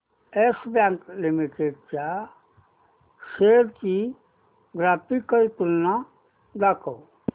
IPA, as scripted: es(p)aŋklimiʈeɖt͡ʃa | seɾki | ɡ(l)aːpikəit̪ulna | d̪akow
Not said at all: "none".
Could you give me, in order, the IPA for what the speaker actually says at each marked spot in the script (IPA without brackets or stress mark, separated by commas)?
b, ɾ